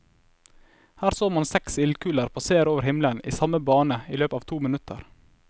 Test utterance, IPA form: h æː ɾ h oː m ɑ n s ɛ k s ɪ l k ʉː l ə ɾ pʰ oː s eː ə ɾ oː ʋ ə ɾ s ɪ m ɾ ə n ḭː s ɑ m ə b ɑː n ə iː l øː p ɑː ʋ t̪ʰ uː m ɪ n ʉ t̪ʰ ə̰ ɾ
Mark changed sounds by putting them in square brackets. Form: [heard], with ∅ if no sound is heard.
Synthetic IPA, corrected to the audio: h æː ɾ [s] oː m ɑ n s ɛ k s ɪ l k ʉː l ə ɾ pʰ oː s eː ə ɾ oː ʋ ə ɾ [h] ɪ m [l] ə n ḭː s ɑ m ə b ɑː n ə iː l øː p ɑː ʋ t̪ʰ uː m ɪ n ʉ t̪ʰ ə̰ ɾ